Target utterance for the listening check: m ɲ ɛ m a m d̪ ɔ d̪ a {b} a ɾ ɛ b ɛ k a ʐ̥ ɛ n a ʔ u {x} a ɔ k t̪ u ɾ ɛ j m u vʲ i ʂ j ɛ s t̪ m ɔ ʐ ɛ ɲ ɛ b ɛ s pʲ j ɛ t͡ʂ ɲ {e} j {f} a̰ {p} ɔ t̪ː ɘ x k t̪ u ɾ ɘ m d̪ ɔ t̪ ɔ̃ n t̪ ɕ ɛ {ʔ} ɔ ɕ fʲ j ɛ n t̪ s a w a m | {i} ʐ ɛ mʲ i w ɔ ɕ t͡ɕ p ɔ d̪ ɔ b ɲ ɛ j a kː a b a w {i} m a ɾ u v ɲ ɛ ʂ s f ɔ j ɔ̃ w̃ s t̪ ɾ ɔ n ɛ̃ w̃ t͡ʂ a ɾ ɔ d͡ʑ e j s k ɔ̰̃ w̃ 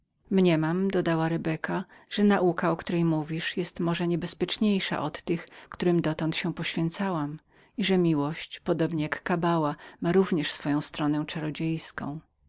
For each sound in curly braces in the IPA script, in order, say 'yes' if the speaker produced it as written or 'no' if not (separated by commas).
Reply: no, no, yes, no, no, no, yes, no